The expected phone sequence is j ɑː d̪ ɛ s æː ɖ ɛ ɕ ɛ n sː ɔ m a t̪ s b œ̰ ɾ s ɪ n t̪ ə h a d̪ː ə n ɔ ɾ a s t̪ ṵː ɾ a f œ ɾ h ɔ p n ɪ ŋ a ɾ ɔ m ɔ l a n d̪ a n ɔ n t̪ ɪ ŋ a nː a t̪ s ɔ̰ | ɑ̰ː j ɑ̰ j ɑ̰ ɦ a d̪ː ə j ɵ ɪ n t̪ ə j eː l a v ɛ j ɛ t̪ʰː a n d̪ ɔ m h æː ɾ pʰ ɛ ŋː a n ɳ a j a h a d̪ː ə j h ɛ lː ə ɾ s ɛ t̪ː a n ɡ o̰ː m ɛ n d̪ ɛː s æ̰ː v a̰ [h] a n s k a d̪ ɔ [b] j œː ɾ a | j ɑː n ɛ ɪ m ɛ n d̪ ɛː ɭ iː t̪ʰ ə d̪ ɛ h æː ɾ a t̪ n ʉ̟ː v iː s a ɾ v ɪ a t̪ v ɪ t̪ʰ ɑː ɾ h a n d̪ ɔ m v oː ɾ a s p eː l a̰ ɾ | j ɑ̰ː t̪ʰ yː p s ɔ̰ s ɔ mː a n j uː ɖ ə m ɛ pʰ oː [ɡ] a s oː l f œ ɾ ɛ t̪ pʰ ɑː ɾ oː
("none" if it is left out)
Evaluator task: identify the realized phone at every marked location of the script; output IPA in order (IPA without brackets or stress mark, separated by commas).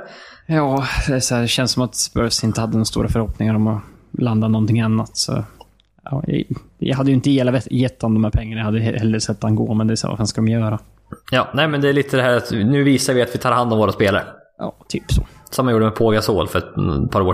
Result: f, m, ɡ